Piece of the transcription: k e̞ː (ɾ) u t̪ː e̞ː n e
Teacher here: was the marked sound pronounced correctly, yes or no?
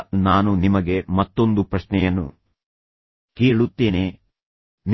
no